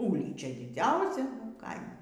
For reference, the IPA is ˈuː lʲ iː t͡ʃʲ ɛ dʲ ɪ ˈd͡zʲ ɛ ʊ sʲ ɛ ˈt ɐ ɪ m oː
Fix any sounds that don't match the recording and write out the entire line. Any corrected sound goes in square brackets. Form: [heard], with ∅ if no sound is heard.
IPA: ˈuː lʲ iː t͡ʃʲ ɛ dʲ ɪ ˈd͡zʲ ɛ ʊ sʲ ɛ [ˈk] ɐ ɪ m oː